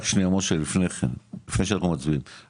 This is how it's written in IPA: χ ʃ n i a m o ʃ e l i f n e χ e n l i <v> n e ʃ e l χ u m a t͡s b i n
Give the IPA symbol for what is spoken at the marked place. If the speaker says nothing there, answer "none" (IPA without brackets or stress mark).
f